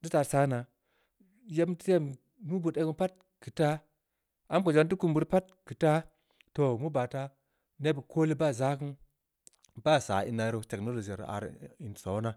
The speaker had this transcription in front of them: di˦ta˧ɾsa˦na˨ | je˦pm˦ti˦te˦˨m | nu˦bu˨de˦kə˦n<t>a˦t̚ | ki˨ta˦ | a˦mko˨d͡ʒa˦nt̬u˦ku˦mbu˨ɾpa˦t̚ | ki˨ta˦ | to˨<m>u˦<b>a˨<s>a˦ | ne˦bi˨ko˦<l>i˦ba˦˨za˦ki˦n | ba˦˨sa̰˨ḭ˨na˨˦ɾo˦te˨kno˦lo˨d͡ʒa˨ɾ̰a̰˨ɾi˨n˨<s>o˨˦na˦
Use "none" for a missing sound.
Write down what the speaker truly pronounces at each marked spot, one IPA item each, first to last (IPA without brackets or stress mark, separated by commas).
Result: p, m, b, t, l, s